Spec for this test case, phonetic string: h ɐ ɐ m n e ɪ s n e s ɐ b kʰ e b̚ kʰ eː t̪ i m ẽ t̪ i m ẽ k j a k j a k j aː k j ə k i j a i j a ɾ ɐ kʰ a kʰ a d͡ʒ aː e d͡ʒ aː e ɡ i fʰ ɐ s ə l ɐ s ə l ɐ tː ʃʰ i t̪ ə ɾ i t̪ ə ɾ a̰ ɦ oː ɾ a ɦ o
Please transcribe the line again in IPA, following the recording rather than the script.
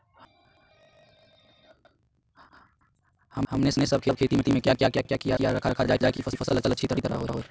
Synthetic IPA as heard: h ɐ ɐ m n e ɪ s n e s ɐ b kʰ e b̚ kʰ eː t̪ i m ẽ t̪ i m ẽ k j a k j a k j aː k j a k i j a i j a ɾ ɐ kʰ a kʰ a d͡ʒ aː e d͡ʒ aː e k i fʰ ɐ s ə l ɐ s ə l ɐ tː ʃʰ i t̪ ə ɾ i t̪ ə ɾ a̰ ɦ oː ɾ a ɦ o